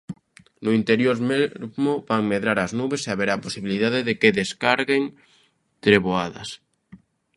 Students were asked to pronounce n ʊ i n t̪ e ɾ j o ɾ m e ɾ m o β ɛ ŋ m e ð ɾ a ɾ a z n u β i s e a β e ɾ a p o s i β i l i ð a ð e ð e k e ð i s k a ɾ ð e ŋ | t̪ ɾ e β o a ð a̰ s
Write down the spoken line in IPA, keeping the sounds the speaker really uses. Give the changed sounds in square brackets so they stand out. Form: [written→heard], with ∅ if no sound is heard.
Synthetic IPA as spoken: n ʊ i n t̪ e ɾ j o ɾ m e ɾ m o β [ɛ→a] ŋ m e ð ɾ a ɾ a z n u β [i→e] s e a β e ɾ a p o s i β i l i ð a ð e ð e k e ð [i→e] s k a ɾ [ð→ɣ] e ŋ | t̪ ɾ e β o a ð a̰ s